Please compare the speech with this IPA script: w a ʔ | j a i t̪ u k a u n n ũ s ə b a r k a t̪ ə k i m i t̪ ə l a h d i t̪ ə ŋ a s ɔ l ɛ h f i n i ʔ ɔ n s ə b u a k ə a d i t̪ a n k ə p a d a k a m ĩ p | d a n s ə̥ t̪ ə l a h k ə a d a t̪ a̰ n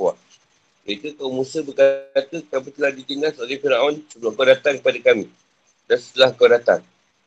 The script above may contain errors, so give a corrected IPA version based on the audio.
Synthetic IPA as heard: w a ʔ | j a i t̪ u k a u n m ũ s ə b ə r k a t̪ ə k a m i t̪ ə l a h d i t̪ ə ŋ a s o l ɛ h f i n a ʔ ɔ n s ə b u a k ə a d a t̪ a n k ə p a d a k a m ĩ | d a n s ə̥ t̪ ə l a h k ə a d a t̪ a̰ n